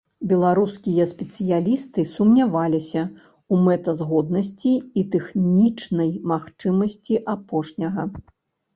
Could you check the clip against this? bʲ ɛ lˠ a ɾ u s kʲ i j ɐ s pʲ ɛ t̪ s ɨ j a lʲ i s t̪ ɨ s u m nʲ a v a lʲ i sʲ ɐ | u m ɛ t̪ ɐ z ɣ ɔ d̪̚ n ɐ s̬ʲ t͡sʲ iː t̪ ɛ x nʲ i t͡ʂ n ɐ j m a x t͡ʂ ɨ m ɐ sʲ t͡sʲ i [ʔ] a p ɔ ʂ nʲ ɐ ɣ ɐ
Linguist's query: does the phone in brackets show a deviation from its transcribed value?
no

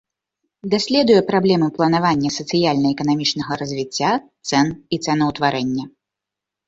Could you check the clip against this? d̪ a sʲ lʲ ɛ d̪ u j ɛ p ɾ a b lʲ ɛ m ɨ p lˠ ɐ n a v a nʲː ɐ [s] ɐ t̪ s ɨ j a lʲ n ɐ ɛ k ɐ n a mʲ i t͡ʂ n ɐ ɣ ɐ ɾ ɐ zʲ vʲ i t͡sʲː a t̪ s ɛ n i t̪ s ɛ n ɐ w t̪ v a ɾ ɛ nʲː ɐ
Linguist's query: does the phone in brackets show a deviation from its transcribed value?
no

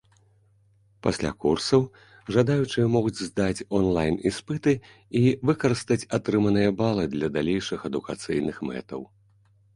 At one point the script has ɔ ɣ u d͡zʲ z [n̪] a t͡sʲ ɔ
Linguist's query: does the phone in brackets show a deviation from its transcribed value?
yes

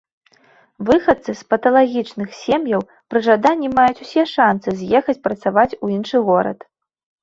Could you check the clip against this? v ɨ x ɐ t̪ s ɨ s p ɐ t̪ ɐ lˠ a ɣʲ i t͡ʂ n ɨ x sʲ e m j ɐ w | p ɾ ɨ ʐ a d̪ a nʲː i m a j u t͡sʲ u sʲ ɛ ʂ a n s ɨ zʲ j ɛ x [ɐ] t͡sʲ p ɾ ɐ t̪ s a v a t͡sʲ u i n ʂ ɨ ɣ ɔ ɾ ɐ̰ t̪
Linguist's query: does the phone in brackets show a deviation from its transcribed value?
no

